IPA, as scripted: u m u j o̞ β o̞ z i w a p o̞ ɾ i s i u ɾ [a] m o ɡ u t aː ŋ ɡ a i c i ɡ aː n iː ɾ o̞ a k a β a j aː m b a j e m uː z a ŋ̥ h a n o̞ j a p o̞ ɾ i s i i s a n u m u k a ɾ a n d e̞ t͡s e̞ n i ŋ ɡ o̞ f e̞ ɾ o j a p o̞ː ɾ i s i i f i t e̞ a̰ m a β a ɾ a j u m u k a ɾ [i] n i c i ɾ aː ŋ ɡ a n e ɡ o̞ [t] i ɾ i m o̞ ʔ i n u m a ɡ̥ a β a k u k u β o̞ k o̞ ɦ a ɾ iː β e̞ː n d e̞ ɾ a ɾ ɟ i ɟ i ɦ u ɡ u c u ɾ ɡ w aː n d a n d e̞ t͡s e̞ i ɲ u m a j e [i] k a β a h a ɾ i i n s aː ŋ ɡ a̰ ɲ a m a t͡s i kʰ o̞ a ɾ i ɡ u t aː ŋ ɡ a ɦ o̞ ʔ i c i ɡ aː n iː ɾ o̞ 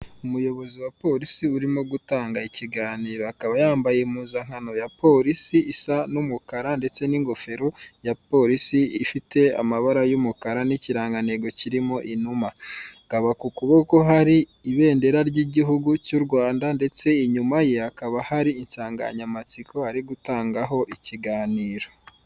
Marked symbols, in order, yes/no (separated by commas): no, no, no, no